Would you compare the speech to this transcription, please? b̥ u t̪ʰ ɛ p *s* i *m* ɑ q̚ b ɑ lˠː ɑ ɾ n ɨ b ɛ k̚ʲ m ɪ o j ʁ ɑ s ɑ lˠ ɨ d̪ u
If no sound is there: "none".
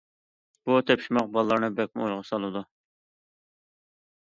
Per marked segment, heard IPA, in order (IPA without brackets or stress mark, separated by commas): ʃ, m